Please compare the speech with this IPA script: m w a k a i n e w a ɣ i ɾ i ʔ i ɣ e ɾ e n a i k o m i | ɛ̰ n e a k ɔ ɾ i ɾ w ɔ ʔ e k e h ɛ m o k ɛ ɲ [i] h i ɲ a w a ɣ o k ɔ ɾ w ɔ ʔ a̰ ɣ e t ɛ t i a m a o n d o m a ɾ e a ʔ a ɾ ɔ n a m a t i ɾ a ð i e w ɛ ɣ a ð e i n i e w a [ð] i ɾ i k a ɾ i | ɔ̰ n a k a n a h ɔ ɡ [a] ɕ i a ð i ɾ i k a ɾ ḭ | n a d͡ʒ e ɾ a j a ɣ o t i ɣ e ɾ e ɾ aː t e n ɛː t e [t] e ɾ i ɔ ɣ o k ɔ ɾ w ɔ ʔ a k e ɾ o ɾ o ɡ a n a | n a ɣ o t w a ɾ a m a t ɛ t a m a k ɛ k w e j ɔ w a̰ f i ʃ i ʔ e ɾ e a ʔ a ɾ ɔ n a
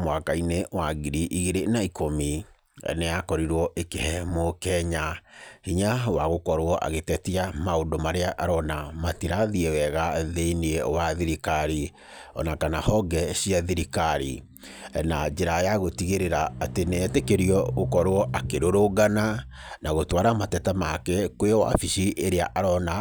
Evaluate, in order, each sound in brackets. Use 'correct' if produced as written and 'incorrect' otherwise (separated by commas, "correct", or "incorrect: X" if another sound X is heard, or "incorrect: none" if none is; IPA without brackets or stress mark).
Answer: incorrect: a, correct, incorrect: ɛ, incorrect: k